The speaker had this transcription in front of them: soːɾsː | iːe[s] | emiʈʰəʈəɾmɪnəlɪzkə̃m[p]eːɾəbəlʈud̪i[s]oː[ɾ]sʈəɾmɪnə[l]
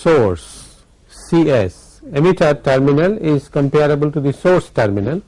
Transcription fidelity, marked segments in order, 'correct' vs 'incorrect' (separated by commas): correct, correct, correct, correct, correct